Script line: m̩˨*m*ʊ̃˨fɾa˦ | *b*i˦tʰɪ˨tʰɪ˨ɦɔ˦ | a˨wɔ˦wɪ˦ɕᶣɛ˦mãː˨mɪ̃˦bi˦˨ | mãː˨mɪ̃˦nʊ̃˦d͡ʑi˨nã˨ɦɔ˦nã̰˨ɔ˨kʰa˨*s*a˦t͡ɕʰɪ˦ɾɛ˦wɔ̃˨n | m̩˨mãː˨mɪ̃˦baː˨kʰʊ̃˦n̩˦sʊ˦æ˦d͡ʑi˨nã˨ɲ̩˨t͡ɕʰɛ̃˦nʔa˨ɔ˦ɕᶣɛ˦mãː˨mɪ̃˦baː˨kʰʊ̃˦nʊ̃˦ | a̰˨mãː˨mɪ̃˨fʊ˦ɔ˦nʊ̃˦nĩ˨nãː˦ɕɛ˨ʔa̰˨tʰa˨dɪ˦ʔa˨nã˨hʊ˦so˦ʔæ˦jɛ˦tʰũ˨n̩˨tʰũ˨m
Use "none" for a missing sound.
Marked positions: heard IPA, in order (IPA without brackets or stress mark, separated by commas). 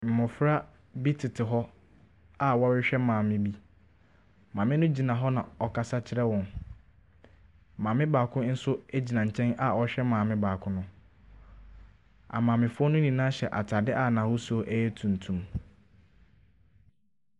m, b, s